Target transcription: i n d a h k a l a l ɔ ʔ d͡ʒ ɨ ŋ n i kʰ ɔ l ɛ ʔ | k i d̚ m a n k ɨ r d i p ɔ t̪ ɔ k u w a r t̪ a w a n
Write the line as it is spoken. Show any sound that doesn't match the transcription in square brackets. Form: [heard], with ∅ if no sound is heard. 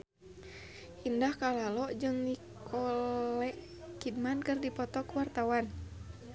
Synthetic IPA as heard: i n d a h k a l a l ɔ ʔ d͡ʒ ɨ ŋ n i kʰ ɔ l ɛ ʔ | k i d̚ m a n k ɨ r d i p ɔ t̪ ɔ k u w a r t̪ a w a n

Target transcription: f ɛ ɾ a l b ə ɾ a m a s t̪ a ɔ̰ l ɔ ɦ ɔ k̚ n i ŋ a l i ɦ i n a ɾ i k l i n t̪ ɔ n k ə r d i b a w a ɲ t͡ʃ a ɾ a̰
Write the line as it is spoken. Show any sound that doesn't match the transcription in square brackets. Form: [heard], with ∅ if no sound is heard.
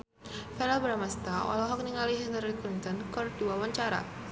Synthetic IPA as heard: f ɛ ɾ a l b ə ɾ a m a s t̪ a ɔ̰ l ɔ ɦ ɔ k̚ n i ŋ a l i ɦ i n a ɾ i k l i n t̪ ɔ n k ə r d i [w] a w a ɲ t͡ʃ a ɾ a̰

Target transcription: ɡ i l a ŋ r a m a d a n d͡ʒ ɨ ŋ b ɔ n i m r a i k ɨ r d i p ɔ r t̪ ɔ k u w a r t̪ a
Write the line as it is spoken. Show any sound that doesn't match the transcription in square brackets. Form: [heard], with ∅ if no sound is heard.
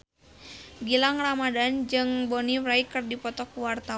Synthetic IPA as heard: ɡ i l a ŋ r a m a d a n d͡ʒ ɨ ŋ b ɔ n i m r a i k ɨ r d i p ɔ [∅] t̪ ɔ k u w a r t̪ a

